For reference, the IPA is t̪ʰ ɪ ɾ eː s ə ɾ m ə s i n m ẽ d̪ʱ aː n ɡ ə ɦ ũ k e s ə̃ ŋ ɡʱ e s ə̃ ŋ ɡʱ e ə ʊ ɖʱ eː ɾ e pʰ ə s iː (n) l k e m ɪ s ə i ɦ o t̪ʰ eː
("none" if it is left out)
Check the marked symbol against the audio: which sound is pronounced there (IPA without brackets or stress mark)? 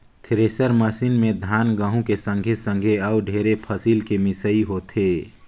none